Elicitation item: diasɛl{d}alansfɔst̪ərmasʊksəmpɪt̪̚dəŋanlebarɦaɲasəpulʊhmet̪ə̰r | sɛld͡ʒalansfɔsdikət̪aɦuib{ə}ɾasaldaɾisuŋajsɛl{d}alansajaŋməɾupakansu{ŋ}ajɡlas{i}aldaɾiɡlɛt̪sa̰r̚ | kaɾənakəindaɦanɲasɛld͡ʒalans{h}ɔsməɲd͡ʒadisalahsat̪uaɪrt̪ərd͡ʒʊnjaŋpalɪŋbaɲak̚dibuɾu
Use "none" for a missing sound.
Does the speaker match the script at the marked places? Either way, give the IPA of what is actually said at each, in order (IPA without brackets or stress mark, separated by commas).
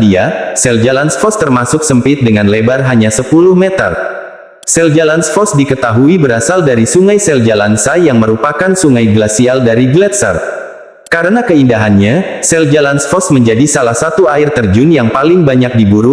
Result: d͡ʒ, ə, d͡ʒ, ŋ, i, f